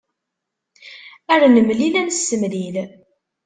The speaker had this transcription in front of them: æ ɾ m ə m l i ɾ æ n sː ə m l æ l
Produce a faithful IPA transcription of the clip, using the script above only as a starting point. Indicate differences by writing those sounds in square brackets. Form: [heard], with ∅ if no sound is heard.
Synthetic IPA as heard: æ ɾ [n] ə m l i [l] æ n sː ə m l [i] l